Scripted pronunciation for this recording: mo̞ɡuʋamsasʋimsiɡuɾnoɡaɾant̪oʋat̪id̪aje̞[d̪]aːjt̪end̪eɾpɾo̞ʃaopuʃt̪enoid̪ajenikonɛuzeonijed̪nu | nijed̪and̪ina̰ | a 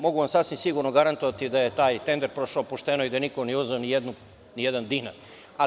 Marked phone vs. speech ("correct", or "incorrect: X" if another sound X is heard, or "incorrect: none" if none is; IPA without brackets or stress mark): incorrect: t̪